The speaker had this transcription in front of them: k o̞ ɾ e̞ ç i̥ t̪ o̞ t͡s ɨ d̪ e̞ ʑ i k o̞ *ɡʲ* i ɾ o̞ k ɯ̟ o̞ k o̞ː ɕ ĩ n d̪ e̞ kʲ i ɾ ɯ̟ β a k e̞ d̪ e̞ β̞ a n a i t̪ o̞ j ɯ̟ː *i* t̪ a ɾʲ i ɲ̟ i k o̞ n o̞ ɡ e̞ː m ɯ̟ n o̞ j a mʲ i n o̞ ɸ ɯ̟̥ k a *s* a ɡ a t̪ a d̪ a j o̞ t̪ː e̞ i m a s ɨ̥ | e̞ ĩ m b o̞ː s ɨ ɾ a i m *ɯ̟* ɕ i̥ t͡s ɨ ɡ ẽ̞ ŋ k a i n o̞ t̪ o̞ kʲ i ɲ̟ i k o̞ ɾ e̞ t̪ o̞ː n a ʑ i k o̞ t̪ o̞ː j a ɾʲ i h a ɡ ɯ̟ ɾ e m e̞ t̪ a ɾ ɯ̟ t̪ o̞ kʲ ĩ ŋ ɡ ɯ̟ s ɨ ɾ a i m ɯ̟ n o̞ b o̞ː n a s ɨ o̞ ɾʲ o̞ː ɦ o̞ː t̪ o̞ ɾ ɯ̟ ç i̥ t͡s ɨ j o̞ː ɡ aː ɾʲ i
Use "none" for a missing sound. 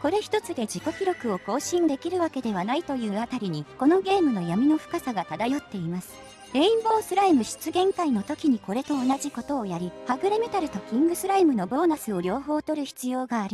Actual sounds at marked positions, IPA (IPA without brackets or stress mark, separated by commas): kʲ, a, s, ɯ̟